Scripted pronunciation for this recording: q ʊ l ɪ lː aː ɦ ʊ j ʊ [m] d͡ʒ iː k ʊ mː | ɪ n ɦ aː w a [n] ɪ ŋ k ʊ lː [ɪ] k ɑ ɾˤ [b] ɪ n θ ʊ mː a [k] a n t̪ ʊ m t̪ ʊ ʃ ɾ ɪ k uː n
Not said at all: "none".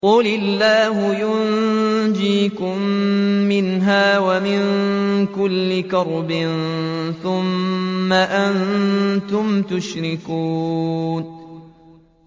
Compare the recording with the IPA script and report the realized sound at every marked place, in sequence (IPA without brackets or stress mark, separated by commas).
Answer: n, m, ɪ, b, ʔ